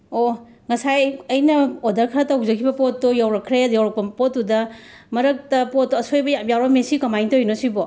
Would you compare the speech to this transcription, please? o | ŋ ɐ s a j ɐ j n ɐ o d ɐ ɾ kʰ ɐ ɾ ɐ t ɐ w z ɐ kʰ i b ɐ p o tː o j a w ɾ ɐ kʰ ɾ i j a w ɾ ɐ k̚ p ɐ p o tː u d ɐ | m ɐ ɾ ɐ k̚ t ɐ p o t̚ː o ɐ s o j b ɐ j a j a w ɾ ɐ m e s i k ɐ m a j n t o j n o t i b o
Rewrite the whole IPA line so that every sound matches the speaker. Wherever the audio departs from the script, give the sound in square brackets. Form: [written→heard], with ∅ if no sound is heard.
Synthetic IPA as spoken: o | ŋ ɐ s a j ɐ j n ɐ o d ɐ ɾ kʰ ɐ ɾ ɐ t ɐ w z ɐ kʰ i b ɐ p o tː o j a w ɾ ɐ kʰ ɾ [i→e] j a w ɾ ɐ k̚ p ɐ p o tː u d ɐ | m ɐ ɾ ɐ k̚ t ɐ p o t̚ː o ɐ s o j b ɐ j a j a w ɾ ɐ m e s i k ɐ m a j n t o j n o [t→s] i b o